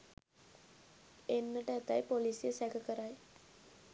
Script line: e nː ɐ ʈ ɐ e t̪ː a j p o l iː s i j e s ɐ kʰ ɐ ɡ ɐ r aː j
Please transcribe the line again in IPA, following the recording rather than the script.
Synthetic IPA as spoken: e nː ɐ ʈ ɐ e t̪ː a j p o l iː s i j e s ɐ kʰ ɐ k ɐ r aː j